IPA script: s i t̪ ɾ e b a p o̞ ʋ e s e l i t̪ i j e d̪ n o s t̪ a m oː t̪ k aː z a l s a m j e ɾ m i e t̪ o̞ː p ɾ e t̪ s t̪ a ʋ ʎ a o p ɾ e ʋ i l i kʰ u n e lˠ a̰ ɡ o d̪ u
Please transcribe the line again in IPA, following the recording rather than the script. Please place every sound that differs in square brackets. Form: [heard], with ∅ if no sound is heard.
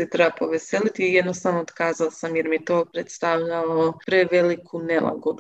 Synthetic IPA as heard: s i t̪ ɾ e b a p o̞ ʋ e s e l i t̪ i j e d̪ n o s t̪ a [n] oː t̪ k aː z a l s a m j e ɾ m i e t̪ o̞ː p ɾ e t̪ s t̪ a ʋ ʎ a o p ɾ e ʋ [e] l i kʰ u n e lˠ a̰ ɡ o d̪ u